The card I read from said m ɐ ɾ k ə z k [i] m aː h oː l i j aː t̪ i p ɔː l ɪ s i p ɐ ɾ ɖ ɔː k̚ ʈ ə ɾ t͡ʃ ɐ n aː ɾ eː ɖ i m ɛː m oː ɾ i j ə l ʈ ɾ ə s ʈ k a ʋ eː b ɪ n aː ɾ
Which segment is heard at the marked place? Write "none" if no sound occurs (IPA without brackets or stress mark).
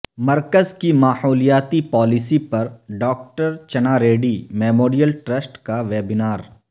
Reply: i